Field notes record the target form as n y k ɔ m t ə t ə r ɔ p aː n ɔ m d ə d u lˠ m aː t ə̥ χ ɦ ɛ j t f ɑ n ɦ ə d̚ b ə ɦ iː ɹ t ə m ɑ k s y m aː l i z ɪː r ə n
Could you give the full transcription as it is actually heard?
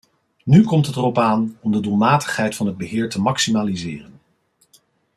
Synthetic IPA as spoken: n y k ɔ m t ə t ə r ɔ p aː n ɔ m d ə d u lˠ m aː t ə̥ χ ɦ ɛ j t f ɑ n ɦ ə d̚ b ə ɦ ɪː ɹ t ə m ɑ k s i m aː l i z ɪː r ə n